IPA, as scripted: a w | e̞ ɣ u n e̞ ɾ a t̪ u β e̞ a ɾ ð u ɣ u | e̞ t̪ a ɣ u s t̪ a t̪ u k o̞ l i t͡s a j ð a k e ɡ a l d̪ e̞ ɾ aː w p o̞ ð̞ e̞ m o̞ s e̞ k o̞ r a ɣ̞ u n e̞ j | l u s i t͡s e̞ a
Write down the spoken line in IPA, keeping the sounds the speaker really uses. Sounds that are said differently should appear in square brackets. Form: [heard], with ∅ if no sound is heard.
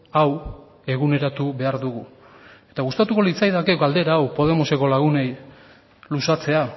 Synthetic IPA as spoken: a w | e̞ ɣ u n e̞ ɾ a t̪ u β e̞ a ɾ ð u ɣ u | e̞ t̪ a ɣ u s t̪ a t̪ u k o̞ l i t͡s a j ð a k e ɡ a l d̪ e̞ ɾ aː w p o̞ ð̞ e̞ m o̞ s e̞ k o̞ [l] a ɣ̞ u n e̞ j | l u s [a] t͡s e̞ a